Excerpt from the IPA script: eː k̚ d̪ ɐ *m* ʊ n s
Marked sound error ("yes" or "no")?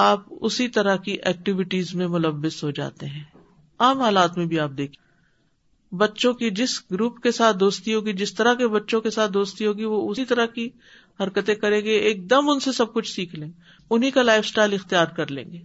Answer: no